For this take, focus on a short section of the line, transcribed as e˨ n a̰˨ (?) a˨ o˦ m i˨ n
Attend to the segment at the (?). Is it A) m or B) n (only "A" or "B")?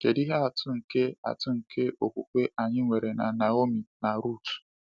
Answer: B